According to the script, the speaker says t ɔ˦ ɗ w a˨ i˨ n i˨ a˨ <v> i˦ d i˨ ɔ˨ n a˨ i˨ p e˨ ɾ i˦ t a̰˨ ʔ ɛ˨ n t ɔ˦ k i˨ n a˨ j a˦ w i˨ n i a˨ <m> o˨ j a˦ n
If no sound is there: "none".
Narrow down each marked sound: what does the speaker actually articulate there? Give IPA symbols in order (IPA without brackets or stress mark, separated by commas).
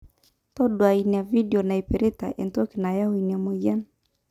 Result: v, m